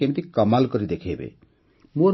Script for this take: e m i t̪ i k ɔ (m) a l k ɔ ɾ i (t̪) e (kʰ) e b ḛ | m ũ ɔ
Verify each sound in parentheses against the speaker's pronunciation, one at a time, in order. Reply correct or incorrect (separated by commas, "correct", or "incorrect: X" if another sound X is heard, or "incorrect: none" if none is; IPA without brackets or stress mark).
correct, incorrect: d̪, correct